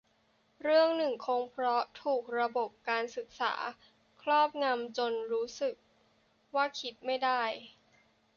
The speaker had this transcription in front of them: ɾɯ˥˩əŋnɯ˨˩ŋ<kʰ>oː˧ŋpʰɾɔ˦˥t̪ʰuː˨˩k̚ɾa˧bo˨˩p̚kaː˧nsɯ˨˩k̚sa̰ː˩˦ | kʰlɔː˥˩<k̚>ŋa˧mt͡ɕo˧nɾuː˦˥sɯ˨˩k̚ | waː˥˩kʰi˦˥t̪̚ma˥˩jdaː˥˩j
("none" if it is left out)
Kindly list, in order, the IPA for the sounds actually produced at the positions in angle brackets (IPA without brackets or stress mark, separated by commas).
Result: kʰ, p̚